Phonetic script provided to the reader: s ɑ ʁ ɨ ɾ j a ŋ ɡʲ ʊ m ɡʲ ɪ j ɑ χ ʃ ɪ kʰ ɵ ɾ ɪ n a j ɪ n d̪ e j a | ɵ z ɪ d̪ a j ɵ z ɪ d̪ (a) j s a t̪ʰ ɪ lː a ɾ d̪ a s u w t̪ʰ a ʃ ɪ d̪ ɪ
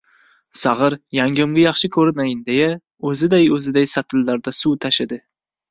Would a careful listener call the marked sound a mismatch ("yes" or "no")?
no